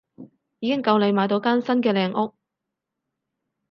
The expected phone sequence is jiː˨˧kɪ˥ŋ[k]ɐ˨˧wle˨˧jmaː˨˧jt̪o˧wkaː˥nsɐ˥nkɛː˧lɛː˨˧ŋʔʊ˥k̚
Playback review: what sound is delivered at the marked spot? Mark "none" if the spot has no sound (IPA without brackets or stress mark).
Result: k